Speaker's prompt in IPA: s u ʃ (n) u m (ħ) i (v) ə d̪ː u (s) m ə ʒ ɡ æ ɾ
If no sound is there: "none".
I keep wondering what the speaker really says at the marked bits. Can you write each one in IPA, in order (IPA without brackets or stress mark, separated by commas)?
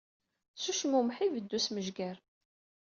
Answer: m, ħ, v, s